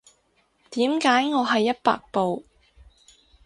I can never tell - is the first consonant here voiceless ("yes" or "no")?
yes